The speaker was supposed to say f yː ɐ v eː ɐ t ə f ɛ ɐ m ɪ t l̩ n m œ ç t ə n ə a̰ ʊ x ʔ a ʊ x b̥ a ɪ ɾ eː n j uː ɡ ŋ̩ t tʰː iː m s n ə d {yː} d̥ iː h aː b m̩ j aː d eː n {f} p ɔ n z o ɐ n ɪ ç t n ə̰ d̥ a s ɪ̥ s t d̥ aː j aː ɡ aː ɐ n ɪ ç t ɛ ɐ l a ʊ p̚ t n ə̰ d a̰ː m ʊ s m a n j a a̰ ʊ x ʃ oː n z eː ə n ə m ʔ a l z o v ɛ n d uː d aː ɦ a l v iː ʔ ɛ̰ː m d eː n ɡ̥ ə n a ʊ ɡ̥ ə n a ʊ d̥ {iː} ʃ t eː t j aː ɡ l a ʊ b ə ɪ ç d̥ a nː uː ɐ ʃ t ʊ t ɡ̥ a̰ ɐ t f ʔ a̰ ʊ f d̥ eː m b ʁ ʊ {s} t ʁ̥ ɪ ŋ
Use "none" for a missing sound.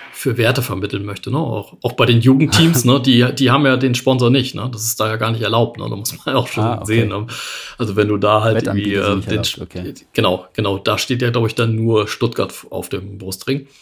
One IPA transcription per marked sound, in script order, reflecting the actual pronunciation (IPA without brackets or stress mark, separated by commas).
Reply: iː, ʃ, aː, s